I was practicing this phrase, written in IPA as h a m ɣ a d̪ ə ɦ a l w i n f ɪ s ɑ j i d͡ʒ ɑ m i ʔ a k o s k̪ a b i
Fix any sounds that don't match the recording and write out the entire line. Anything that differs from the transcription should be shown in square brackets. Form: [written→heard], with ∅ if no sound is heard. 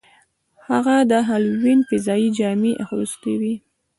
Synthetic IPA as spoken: h a [m→∅] ɣ a d̪ ə ɦ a l w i n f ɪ [s→z] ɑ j i d͡ʒ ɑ m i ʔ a [k→x] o s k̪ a [b→w] i